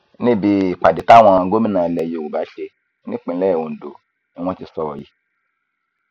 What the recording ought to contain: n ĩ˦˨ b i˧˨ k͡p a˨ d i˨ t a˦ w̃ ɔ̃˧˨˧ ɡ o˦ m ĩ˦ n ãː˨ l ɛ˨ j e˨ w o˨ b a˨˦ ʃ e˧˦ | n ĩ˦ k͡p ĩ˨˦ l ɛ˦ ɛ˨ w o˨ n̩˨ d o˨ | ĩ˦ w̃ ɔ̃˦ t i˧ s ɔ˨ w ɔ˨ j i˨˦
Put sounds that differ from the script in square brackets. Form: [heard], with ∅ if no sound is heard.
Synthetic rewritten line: n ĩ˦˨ b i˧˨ k͡p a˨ d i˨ t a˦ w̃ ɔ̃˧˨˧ ɡ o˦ m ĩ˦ n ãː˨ l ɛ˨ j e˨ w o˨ b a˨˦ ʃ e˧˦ | n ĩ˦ k͡p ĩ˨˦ l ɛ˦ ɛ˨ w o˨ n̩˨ d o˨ | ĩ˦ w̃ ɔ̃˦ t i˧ s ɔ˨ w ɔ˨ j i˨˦